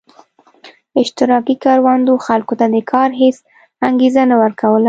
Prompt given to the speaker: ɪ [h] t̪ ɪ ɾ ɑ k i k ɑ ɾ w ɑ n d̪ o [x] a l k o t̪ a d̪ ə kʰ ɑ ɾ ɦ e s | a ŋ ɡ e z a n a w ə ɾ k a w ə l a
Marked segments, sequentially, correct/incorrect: incorrect: ʃ, correct

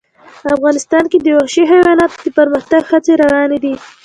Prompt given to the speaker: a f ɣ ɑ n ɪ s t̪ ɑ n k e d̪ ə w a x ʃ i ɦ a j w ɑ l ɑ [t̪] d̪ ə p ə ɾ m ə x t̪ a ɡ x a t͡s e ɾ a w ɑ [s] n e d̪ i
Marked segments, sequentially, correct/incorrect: correct, incorrect: none

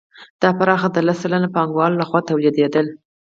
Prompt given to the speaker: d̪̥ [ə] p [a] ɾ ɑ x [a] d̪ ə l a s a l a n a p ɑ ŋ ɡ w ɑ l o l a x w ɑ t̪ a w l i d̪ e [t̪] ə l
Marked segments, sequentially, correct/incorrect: incorrect: ɑ, correct, correct, incorrect: d̪

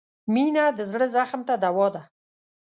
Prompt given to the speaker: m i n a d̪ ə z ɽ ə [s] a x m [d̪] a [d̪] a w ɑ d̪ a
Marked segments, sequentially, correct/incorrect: incorrect: z, incorrect: t̪, correct

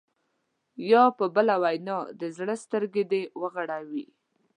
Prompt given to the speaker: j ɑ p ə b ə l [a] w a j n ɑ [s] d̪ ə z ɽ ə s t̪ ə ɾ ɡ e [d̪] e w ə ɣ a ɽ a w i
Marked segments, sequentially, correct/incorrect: correct, incorrect: none, correct

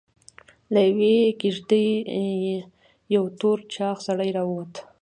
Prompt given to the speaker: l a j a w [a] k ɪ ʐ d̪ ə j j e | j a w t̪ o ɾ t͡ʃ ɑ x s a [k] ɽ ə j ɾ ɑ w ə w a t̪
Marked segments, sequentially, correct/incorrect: incorrect: e, incorrect: none

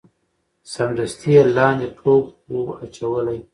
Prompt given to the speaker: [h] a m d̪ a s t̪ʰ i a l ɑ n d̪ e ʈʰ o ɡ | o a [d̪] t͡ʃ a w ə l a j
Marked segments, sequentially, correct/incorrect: incorrect: s, incorrect: none

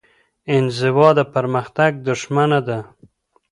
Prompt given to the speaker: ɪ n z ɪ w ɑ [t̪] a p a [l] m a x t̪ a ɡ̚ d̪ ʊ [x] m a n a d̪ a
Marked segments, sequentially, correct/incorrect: incorrect: d̪, incorrect: ɾ, incorrect: ʃ

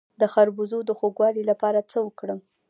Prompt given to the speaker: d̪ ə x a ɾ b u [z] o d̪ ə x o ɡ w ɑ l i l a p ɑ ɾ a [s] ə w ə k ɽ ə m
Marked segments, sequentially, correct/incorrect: correct, incorrect: t͡s

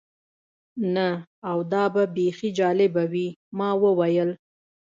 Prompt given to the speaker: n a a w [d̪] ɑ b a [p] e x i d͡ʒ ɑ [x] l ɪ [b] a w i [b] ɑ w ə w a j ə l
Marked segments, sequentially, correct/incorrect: correct, incorrect: b, incorrect: none, correct, incorrect: m

